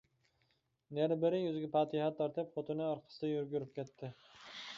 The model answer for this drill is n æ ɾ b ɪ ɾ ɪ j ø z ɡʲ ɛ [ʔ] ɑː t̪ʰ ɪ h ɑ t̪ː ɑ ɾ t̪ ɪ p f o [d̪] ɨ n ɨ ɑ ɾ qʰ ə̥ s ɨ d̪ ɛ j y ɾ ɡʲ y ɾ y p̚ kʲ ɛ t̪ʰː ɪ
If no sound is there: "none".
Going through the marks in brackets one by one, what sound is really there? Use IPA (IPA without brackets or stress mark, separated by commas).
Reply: p, t̪